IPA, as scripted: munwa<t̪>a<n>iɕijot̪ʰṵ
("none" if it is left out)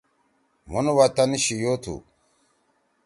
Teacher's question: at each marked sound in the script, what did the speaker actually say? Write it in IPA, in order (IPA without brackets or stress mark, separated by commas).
t̪, n